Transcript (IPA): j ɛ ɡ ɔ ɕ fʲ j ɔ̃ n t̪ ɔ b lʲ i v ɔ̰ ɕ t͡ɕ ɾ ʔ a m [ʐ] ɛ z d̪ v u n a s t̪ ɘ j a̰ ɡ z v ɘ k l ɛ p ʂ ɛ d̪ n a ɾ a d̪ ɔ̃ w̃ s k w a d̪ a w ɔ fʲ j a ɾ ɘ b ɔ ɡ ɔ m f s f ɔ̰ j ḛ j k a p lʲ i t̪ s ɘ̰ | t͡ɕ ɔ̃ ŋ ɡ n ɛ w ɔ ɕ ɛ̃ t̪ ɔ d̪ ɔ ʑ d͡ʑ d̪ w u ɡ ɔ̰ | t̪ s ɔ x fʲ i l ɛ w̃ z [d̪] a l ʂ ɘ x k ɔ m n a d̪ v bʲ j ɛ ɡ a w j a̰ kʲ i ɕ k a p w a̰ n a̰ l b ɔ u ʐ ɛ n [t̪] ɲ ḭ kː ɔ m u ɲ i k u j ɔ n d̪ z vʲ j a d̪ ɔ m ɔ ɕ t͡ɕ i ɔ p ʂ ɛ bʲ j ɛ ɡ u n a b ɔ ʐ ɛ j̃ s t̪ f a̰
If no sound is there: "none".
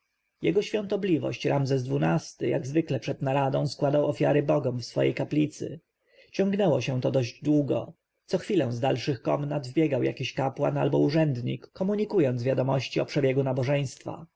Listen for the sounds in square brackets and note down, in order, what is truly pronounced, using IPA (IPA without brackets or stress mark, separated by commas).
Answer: z, d̪, d̪